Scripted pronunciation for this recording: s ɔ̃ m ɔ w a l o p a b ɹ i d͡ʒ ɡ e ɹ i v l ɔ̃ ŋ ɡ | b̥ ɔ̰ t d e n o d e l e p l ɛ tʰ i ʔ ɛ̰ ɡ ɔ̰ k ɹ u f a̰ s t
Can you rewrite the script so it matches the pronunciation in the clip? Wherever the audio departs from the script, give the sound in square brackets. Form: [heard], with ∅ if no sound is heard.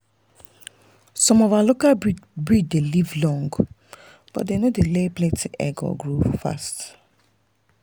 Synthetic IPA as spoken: s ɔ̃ m ɔ [v] a l o [k] a b ɹ i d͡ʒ [d] e [l] i v l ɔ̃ ŋ ɡ | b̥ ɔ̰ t d e n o d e l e p l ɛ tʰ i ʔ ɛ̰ ɡ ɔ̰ [ɡ] ɹ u f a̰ s t